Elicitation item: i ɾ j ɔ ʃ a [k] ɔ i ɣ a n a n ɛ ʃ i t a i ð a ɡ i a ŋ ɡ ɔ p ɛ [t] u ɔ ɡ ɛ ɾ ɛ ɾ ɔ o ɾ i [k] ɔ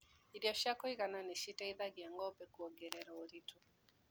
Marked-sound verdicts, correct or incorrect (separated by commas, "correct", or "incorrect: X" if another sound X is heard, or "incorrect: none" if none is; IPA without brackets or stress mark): correct, incorrect: k, incorrect: t